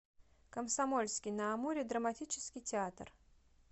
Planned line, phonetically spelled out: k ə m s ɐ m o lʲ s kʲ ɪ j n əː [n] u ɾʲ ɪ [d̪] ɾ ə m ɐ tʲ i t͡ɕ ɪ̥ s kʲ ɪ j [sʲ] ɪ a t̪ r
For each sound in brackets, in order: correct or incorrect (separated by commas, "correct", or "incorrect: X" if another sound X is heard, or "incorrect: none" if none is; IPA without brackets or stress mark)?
incorrect: m, correct, incorrect: tʲ